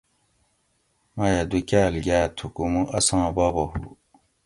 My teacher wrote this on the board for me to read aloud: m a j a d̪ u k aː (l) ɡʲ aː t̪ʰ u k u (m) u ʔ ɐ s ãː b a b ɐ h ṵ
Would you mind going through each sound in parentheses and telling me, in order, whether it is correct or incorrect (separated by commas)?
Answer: correct, correct